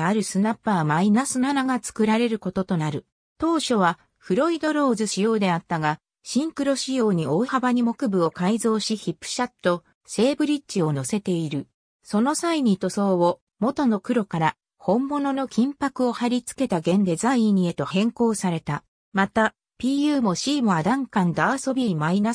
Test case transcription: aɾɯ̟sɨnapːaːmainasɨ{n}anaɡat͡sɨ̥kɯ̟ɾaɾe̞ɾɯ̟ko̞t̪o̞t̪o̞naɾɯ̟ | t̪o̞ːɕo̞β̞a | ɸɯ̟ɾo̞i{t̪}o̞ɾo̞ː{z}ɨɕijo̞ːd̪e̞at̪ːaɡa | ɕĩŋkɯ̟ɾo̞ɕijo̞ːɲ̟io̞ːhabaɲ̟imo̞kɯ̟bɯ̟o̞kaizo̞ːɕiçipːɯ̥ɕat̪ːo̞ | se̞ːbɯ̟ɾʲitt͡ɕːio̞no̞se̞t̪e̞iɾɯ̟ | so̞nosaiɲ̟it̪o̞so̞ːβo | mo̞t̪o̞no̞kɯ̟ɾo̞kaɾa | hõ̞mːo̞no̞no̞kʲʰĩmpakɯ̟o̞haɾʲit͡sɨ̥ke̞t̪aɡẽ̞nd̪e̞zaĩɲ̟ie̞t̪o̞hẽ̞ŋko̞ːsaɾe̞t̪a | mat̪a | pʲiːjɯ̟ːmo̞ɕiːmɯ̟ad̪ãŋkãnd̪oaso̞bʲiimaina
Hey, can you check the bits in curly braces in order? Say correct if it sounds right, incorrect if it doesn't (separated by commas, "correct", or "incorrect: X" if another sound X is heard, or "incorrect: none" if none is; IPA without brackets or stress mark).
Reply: correct, incorrect: d̪, correct